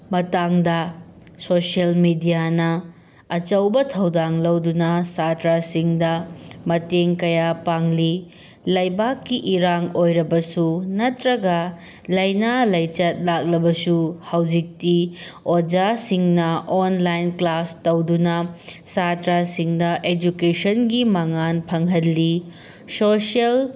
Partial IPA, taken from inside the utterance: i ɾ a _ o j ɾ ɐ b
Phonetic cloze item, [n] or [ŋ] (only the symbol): ŋ